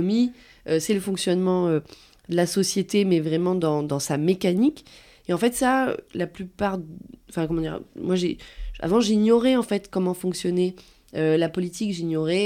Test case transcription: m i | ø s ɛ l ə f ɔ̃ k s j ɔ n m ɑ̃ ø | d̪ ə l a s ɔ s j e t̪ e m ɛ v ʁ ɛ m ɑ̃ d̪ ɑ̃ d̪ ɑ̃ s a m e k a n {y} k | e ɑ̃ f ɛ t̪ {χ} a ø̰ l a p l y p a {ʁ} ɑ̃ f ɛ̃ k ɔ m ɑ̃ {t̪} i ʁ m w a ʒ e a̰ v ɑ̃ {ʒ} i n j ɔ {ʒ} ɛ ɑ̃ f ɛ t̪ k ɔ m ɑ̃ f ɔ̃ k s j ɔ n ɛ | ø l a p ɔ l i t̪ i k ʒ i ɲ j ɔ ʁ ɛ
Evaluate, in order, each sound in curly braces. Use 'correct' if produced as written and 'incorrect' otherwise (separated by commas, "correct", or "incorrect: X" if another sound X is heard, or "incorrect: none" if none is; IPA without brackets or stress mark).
incorrect: i, incorrect: s, correct, incorrect: d̪, correct, incorrect: ʁ